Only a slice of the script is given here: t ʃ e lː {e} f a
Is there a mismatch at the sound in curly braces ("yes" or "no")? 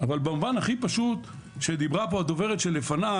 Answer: no